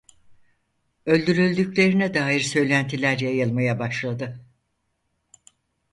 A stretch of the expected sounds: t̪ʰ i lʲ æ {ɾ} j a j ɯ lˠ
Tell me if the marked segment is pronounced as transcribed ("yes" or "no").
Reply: yes